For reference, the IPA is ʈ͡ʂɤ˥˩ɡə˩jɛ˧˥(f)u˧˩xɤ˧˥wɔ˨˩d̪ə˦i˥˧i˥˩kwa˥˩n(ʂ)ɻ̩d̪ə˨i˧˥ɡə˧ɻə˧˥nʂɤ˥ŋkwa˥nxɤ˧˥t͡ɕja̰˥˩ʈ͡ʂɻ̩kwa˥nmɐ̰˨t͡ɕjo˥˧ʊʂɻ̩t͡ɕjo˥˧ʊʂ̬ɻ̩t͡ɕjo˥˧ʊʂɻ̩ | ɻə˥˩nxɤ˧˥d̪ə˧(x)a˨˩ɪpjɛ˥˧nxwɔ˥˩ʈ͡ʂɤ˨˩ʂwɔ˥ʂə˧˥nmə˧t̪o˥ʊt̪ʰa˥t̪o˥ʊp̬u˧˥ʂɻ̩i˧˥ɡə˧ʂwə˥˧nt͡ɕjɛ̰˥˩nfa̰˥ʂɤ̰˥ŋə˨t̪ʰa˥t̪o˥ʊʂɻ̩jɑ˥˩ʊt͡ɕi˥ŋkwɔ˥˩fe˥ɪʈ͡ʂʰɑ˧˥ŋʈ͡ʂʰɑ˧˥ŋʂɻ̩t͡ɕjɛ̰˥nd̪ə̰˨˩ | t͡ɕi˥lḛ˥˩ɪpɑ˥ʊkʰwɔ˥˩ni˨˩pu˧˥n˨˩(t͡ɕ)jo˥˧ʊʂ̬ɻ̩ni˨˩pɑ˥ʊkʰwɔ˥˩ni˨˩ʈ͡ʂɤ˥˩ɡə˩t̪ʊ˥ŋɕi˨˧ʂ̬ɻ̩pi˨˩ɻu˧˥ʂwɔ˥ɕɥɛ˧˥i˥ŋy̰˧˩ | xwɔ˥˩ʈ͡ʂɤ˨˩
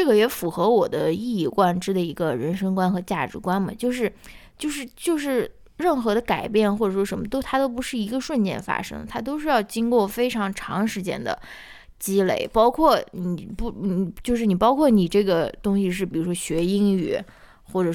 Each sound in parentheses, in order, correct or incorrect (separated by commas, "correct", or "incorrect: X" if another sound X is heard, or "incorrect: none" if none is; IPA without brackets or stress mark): correct, incorrect: ʈ͡ʂ, incorrect: k, correct